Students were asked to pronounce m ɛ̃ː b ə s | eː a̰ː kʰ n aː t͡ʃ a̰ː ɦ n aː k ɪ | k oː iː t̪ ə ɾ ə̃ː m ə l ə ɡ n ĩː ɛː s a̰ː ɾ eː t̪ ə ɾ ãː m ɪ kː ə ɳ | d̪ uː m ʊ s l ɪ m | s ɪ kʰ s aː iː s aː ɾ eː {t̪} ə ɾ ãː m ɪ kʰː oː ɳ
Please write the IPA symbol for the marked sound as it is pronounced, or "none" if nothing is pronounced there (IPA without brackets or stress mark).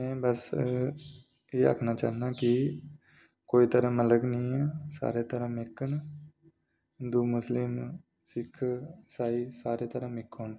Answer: t̪